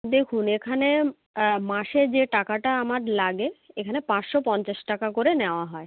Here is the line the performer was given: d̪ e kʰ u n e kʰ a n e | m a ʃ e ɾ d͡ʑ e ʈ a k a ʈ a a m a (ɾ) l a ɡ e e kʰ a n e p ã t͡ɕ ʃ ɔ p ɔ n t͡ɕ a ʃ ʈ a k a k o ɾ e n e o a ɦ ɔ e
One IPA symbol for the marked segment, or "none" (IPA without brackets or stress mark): ɾ